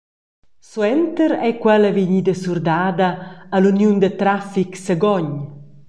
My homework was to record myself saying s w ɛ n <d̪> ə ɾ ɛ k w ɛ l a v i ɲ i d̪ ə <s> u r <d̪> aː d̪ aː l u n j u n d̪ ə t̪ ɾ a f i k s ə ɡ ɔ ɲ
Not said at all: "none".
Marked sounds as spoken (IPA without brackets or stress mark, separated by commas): t̪, s, d̪